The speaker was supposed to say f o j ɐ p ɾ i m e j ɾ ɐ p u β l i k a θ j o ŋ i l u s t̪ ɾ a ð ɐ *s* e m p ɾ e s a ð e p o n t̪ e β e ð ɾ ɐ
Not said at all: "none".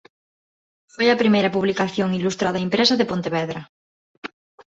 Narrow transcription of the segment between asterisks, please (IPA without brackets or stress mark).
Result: none